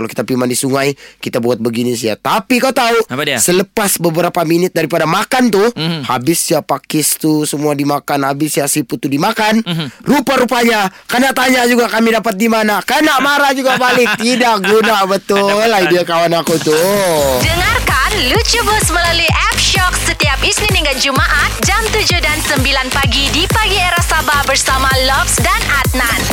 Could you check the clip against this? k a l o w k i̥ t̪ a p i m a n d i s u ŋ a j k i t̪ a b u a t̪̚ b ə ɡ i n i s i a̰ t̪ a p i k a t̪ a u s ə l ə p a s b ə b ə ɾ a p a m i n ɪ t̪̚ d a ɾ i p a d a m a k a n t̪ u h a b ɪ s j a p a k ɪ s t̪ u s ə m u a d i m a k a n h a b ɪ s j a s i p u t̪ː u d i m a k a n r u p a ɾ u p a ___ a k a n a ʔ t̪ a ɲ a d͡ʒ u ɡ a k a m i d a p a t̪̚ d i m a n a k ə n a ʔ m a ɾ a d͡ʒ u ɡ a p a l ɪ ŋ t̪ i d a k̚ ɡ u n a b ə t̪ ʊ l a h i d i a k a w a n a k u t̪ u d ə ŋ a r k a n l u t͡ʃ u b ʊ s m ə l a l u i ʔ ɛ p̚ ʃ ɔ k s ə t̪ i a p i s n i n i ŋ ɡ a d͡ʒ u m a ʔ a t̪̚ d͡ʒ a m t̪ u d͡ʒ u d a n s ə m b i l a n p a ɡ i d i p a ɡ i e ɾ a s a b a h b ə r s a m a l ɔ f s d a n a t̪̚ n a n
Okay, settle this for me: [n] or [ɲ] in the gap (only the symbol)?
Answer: ɲ